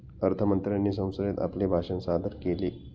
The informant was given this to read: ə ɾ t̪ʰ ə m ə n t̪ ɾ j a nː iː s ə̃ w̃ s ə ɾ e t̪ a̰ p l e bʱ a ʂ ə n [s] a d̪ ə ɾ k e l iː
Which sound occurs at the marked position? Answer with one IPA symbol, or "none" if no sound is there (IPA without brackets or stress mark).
s